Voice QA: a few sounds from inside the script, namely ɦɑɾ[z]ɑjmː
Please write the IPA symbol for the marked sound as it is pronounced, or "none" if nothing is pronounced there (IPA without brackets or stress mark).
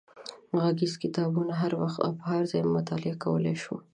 z